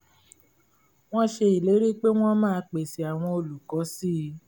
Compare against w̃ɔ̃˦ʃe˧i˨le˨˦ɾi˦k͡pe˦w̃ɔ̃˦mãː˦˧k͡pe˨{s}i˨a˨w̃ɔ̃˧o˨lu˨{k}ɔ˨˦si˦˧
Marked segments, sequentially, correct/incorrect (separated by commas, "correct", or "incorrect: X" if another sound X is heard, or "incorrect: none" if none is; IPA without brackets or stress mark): correct, correct